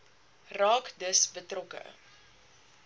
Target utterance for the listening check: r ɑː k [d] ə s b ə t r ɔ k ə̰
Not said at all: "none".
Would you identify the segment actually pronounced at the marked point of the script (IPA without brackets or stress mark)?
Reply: d